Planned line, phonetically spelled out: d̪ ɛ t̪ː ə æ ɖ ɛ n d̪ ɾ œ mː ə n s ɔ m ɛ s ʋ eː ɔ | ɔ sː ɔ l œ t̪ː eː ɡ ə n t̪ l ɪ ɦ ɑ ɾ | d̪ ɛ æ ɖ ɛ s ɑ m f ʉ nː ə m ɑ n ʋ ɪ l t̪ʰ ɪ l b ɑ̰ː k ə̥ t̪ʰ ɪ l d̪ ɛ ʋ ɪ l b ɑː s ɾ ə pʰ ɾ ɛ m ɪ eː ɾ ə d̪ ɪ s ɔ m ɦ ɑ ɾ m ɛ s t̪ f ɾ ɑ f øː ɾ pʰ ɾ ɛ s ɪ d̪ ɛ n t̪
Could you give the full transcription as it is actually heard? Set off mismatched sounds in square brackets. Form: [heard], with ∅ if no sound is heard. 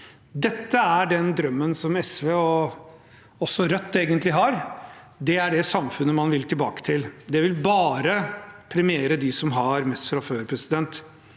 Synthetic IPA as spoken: d̪ ɛ t̪ː ə æ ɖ ɛ n d̪ ɾ œ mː ə n s ɔ m ɛ s ʋ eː ɔ | ɔ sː ɔ [ɾ] œ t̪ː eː ɡ ə n t̪ l ɪ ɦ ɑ ɾ | d̪ ɛ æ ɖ ɛ s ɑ m f ʉ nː ə m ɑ n ʋ ɪ l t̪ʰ ɪ l b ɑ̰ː k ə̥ t̪ʰ ɪ l d̪ ɛ ʋ ɪ l b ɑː [∅] ɾ ə pʰ ɾ ɛ m ɪ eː ɾ ə d̪ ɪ s ɔ m ɦ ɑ ɾ m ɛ s t̪ f ɾ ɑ f øː ɾ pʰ ɾ ɛ s ɪ d̪ ɛ n t̪

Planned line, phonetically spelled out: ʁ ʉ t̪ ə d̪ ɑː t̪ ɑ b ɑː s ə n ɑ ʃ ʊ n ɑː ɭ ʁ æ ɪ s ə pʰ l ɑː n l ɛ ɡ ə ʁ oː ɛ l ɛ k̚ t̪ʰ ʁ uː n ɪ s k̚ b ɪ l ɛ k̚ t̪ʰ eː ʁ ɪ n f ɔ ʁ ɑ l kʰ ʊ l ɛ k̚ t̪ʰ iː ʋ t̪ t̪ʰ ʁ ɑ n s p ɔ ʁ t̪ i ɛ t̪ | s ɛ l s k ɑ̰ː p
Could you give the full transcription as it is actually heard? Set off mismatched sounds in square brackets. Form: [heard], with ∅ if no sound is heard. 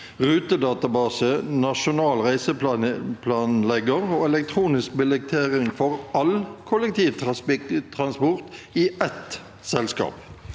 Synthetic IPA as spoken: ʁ [ʉː] t̪ ə d̪ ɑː t̪ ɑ b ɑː s ə n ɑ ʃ ʊ n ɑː [l] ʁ æ ɪ s ə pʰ l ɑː n l ɛ ɡ ə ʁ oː ɛ l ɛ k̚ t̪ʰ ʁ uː n ɪ s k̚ b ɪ l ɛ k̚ t̪ʰ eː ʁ ɪ [ŋ] f ɔ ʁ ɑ l kʰ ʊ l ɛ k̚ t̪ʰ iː ʋ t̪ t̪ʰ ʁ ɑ n s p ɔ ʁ t̪ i ɛ t̪ | s ɛ l s k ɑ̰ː p

